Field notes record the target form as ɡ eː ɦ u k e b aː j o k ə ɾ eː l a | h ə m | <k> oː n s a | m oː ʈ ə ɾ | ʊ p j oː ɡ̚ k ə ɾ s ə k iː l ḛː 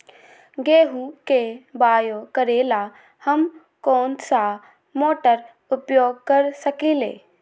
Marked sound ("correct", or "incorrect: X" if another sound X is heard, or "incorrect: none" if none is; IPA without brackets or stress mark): correct